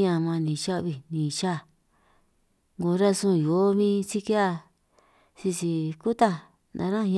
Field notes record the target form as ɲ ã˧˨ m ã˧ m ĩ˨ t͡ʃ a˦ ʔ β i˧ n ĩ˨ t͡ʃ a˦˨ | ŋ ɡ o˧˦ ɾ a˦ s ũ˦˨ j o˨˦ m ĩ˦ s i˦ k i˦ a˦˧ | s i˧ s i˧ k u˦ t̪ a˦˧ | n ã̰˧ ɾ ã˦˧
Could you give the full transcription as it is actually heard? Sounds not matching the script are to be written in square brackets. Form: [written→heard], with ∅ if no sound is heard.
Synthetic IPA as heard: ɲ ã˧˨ m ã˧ [m→n] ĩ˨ t͡ʃ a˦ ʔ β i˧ n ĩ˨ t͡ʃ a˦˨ | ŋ ɡ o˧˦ ɾ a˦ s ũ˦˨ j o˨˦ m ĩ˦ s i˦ k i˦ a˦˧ | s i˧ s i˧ k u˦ t̪ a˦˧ | n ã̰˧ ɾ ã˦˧

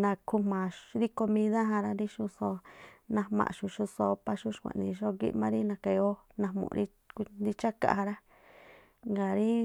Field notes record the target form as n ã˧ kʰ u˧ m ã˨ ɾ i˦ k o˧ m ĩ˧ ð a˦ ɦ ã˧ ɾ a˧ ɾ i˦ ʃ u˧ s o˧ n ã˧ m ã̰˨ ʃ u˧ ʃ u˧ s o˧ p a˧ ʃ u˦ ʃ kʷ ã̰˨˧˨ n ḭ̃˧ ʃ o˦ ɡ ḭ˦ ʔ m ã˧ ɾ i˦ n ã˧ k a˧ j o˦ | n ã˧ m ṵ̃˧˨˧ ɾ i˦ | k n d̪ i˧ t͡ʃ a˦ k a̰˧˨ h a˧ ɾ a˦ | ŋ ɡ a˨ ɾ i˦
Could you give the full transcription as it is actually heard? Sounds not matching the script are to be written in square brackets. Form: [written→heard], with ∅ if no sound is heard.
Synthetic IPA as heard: n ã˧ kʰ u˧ m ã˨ ɾ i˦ k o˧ m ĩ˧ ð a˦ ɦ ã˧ ɾ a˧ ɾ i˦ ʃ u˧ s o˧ n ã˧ m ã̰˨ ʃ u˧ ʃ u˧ s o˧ p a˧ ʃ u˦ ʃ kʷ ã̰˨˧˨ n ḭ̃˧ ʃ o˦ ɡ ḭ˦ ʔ m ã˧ ɾ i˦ n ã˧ k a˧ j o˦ | n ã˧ m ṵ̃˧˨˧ ɾ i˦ | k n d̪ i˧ t͡ʃ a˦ k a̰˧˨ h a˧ ɾ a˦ | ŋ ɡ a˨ ɾ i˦

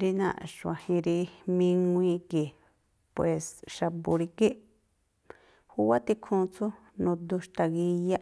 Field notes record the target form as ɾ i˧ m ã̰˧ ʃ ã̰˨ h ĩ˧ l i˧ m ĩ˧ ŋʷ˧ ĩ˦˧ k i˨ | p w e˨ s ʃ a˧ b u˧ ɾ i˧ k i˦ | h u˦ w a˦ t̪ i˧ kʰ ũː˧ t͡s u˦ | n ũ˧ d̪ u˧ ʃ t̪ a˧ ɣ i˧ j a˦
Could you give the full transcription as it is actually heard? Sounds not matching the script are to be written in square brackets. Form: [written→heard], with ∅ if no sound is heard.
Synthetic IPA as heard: ɾ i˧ [m→n] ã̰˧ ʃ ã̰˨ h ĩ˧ [l→ɾ] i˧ m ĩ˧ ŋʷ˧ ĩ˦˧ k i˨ | p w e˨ s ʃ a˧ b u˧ ɾ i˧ k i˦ | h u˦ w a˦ t̪ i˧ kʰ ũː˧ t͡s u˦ | n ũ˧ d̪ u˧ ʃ t̪ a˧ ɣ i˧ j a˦

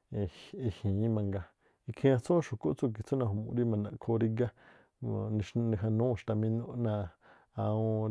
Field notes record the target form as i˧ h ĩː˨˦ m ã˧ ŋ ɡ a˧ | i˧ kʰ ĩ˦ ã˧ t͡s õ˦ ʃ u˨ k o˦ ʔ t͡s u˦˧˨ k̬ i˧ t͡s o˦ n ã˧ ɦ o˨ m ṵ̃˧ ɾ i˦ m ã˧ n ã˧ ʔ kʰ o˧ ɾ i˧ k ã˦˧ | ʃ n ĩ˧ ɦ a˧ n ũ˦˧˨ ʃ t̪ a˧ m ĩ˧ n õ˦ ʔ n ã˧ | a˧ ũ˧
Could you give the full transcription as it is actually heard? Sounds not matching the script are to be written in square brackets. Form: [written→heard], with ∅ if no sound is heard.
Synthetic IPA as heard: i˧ h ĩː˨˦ m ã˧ ŋ ɡ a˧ | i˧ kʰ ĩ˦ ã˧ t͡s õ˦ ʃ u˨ k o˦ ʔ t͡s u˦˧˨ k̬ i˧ t͡s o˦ n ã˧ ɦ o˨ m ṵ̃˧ ɾ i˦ m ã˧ n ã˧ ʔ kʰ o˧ ɾ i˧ [k→ɡ] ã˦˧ | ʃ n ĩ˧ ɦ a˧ n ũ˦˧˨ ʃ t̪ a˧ m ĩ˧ n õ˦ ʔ n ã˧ | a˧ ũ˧

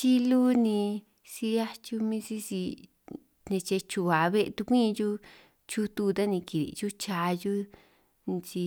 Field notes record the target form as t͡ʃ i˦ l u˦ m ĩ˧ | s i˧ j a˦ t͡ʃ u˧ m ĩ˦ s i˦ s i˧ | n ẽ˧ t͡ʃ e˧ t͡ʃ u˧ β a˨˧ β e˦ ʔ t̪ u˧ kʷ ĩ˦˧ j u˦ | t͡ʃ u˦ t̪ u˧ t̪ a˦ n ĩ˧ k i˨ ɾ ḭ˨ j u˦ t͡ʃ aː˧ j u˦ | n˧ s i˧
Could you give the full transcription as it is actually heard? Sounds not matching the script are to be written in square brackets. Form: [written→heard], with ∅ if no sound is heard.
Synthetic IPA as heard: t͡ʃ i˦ l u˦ [m→n] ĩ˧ | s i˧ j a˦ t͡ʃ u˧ m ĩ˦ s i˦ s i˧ | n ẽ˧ t͡ʃ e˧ t͡ʃ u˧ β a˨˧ β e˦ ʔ t̪ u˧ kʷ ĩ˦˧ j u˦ | t͡ʃ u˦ t̪ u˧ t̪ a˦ n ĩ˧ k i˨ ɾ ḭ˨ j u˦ t͡ʃ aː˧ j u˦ | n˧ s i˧

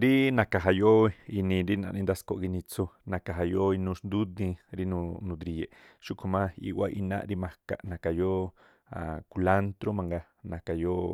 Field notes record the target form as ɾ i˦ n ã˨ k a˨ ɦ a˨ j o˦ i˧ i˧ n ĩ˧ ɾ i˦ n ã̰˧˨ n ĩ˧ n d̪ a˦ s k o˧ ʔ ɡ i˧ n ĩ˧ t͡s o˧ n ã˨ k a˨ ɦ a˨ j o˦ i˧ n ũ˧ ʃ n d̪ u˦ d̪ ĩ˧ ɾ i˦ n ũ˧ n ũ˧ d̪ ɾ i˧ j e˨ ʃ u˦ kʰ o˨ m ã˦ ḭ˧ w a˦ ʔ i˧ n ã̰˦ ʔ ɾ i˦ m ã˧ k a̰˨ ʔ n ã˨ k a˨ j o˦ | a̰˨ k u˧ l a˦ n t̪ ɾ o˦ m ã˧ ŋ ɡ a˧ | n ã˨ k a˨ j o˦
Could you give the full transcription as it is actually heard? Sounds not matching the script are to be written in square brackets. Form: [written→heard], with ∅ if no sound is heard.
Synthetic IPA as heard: ɾ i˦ n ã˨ k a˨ ɦ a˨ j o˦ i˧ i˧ n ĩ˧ ɾ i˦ n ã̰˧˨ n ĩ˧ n d̪ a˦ s k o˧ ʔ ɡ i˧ n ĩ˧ t͡s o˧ n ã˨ k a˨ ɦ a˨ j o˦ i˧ n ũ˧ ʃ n d̪ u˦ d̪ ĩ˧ ɾ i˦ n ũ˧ n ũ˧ d̪ ɾ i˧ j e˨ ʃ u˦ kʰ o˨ m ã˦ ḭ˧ w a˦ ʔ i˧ n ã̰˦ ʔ ɾ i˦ m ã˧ k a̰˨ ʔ n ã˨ k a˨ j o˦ | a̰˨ k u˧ l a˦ n t̪ ɾ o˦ m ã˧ ŋ ɡ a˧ | n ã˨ k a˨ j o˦

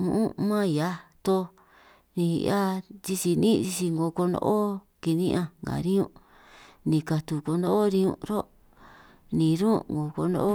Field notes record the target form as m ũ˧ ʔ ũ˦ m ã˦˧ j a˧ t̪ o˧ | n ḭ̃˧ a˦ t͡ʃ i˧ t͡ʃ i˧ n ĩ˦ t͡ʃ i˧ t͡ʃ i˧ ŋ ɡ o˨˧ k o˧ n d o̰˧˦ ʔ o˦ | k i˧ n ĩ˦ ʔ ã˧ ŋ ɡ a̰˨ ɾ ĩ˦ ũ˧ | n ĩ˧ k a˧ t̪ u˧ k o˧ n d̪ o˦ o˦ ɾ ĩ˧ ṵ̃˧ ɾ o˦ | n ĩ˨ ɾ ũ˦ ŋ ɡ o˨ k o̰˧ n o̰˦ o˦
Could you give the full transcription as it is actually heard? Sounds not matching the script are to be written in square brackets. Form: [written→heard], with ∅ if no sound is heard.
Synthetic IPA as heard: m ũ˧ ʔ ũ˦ m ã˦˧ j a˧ t̪ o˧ | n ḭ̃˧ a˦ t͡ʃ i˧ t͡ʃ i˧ n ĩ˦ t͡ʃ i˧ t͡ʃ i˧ ŋ ɡ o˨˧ k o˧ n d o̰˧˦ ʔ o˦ | k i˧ n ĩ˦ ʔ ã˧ ŋ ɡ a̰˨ ɾ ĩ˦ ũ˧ | n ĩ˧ k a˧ t̪ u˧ k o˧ n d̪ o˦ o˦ ɾ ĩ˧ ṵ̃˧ ɾ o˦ | n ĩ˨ ɾ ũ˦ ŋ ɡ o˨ k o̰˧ n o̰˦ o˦

